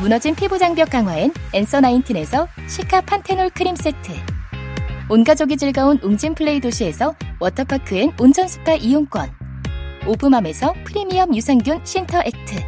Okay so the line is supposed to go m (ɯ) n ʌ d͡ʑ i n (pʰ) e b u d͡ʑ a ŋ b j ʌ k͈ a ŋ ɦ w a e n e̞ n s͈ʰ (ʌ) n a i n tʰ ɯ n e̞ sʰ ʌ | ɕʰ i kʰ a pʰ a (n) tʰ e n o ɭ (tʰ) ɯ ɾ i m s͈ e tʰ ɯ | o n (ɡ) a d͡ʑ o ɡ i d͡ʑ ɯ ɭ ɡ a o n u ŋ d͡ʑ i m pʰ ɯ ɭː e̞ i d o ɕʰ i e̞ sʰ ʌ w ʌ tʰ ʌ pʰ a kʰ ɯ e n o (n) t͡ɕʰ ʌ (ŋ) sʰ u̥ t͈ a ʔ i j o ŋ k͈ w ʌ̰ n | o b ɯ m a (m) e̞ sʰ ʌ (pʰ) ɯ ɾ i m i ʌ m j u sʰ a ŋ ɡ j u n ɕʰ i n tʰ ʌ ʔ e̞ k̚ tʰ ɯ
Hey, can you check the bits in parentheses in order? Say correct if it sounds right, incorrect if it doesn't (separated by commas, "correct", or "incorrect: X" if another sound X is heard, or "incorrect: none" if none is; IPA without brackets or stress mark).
incorrect: u, correct, correct, correct, incorrect: kʰ, correct, correct, incorrect: n, correct, correct